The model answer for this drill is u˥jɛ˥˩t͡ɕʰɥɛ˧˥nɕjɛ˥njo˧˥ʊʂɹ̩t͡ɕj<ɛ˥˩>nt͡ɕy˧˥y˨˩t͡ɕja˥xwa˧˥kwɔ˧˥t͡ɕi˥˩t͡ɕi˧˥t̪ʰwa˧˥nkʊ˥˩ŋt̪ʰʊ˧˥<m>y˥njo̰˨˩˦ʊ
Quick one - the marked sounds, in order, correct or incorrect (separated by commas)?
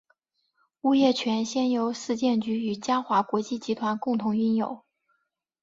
correct, incorrect